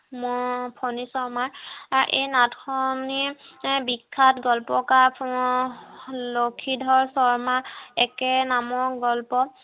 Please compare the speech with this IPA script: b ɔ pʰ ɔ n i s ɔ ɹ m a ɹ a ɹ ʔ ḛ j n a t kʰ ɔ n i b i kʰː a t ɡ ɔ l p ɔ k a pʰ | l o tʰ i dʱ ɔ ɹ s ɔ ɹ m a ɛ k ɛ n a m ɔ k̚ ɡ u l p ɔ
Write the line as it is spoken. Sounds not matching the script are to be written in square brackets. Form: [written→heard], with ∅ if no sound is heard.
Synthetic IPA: [b→m] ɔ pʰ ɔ n i s ɔ ɹ m a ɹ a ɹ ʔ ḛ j n a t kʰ ɔ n i b i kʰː a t ɡ ɔ l p ɔ k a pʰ | l o [tʰ→kʰ] i dʱ ɔ ɹ s ɔ ɹ m a ɛ k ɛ n a m ɔ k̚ ɡ [u→ɔ] l p ɔ